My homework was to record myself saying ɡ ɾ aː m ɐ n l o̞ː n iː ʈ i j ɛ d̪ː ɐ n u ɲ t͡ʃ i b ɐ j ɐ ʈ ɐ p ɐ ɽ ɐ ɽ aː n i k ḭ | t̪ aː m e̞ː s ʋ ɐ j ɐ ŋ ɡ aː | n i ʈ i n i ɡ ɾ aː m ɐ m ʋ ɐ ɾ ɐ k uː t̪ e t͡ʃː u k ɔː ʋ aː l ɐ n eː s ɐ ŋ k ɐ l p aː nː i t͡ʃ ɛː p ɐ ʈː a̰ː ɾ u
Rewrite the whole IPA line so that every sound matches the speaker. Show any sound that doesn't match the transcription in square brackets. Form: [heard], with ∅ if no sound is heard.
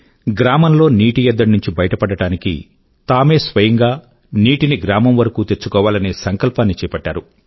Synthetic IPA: ɡ ɾ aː m ɐ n l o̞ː n iː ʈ i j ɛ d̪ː ɐ n u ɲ t͡ʃ i b ɐ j ɐ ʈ ɐ p ɐ ɽ ɐ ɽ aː n i k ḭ | t̪ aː m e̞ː s ʋ ɐ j ɐ ŋ ɡ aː | n [iː] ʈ i n i ɡ ɾ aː m ɐ m ʋ ɐ ɾ ɐ k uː t̪ e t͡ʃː u k ɔː ʋ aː l ɐ n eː s ɐ ŋ k ɐ l p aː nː i t͡ʃ ɛː p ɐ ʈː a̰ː ɾ u